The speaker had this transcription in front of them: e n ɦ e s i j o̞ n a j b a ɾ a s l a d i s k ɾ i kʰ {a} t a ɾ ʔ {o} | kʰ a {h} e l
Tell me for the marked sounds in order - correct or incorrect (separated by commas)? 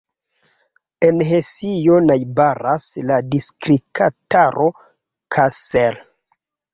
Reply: correct, correct, incorrect